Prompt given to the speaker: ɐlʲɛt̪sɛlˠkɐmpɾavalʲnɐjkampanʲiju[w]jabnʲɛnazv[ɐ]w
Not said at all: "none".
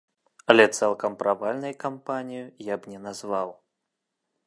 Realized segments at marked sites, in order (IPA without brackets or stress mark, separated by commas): none, a